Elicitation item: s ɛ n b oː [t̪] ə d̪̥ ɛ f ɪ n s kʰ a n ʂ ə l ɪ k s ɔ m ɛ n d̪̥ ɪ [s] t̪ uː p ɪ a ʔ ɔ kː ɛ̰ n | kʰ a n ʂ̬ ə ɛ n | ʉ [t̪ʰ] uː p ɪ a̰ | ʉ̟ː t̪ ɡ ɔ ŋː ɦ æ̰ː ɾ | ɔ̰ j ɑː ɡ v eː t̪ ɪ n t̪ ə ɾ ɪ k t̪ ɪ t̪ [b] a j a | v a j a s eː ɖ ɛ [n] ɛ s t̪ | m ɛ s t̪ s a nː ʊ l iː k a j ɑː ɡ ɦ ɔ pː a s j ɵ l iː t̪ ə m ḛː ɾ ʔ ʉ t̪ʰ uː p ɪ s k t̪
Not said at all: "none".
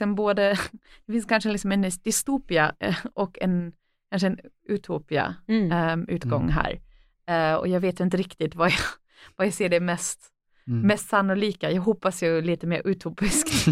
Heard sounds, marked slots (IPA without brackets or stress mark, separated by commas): d̪, s, t̪ʰ, v, m